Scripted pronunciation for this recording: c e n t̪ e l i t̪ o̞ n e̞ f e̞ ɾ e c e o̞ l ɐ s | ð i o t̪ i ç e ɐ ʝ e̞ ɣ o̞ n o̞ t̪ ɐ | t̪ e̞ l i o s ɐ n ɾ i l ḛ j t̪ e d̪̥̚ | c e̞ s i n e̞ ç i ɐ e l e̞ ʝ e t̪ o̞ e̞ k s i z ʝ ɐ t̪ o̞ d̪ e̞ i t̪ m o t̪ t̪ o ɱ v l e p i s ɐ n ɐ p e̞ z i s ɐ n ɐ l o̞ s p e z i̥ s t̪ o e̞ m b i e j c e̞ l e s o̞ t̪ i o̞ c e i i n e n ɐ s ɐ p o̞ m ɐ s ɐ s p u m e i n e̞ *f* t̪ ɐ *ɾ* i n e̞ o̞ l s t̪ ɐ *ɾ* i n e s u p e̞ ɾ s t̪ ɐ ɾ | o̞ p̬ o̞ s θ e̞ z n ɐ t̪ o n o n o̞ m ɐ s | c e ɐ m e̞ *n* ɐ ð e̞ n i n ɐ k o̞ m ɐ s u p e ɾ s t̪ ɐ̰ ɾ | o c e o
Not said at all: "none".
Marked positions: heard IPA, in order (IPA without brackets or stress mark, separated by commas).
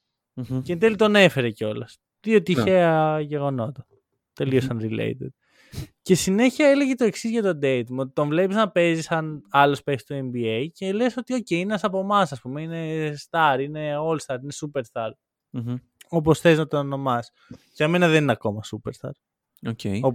s, ɾ, ɾ, n